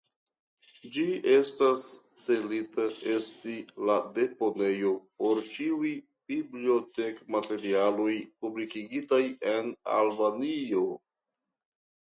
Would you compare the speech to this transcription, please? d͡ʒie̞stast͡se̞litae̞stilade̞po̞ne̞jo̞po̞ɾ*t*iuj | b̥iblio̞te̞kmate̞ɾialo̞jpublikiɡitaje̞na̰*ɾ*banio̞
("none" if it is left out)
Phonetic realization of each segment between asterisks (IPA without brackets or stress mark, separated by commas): t͡ʃ, l